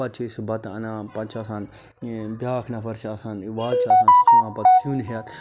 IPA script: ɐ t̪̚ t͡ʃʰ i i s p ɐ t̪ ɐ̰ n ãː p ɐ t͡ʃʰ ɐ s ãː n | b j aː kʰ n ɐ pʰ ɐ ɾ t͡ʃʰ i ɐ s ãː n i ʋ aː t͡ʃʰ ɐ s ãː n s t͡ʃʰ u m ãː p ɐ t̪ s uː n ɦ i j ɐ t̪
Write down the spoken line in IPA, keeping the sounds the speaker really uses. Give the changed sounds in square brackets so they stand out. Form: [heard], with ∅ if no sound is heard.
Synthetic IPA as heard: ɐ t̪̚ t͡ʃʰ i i s [b] ɐ t̪ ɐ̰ n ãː p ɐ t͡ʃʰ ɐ s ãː n | b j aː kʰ n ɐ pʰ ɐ ɾ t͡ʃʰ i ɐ s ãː n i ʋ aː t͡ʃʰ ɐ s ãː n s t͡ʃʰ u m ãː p ɐ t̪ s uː n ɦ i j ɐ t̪

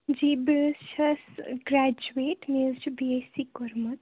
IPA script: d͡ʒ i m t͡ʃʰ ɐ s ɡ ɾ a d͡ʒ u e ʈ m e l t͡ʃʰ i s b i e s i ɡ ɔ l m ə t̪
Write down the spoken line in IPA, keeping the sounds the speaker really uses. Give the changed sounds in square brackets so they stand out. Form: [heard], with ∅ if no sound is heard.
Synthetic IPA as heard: d͡ʒ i [b] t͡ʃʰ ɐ s ɡ ɾ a d͡ʒ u e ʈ m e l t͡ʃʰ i [∅] b i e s i [k] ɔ [ɾ] m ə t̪

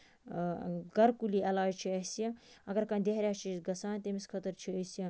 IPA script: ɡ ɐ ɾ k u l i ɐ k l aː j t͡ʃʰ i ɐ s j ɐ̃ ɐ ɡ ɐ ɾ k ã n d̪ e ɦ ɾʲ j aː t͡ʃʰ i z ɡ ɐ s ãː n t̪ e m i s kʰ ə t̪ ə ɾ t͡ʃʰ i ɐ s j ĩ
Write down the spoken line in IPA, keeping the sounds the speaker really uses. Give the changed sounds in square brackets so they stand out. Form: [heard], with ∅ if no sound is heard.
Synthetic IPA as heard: ɡ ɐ ɾ k u l i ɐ [∅] l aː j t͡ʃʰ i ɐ s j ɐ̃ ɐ ɡ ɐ ɾ k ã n d̪ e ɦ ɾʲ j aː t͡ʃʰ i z ɡ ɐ s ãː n t̪ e m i s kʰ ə t̪ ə ɾ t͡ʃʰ i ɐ s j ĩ

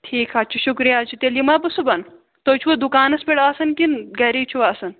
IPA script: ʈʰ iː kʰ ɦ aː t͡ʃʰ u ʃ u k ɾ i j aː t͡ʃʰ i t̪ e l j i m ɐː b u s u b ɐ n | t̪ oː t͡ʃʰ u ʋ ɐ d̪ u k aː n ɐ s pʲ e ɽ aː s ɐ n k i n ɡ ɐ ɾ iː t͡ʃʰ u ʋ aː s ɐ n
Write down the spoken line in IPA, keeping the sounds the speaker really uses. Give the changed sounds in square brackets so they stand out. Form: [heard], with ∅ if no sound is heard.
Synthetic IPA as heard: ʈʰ iː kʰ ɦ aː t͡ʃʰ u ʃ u k ɾ i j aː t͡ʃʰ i t̪ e l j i m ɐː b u s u b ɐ n | t̪ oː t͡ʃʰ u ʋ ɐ d̪ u k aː n ɐ s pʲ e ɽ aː s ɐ n k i n ɡ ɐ ɾ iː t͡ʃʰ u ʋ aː s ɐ n

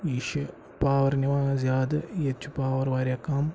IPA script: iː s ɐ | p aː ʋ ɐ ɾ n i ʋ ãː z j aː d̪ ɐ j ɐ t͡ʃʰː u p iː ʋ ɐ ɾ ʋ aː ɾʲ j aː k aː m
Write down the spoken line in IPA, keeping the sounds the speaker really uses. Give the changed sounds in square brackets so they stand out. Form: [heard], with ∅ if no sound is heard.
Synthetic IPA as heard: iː [ʃ] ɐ | p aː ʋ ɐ ɾ n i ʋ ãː z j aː d̪ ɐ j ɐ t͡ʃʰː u p [aː] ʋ ɐ ɾ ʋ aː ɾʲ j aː k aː m

